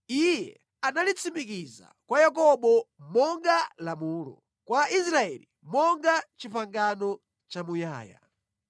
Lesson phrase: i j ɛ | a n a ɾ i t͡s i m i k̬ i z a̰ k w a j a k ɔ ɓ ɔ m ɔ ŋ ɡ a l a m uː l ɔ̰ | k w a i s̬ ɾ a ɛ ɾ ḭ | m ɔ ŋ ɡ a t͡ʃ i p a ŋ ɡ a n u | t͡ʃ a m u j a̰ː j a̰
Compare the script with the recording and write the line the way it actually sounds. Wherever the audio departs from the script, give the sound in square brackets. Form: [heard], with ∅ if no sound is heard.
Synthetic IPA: i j ɛ | a n a [l] i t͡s i m i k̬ i z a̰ k w a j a k ɔ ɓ ɔ m ɔ ŋ ɡ a l a m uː l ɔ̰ | k w a i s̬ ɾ a ɛ [l] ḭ | m ɔ ŋ ɡ a t͡ʃ i p a ŋ ɡ a n [ɔ] | t͡ʃ a m u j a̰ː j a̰